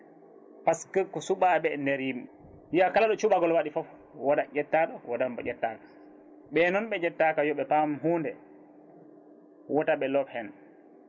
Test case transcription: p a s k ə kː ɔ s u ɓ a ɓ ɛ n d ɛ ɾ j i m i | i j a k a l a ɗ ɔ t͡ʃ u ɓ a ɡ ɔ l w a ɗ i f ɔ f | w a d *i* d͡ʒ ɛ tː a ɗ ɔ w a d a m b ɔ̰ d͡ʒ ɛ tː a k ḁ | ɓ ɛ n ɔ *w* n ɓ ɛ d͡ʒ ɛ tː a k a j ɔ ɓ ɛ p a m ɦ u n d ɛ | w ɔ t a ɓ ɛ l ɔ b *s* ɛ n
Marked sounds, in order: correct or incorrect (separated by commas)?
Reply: incorrect, incorrect, incorrect